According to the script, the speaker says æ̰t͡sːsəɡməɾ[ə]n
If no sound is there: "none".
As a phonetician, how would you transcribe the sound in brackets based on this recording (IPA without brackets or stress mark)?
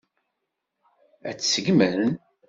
ə